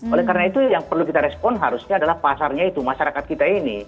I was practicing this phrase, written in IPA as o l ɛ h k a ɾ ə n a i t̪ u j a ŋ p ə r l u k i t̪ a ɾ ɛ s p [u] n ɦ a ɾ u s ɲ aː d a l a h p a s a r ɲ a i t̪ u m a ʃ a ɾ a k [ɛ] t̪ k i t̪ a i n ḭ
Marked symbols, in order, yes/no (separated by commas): no, no